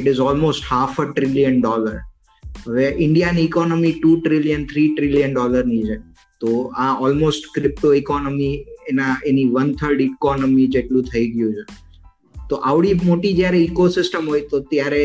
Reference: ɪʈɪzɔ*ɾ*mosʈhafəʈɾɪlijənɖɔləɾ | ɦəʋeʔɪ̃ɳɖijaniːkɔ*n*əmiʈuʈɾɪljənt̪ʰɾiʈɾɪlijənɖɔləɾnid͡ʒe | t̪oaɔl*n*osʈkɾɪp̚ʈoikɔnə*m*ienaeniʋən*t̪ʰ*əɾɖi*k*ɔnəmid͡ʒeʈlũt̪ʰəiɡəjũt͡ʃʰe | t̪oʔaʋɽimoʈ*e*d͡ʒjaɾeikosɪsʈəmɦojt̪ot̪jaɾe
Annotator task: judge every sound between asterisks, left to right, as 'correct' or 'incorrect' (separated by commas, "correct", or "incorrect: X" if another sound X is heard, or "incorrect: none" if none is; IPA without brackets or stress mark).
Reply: incorrect: l, correct, incorrect: m, correct, correct, correct, incorrect: i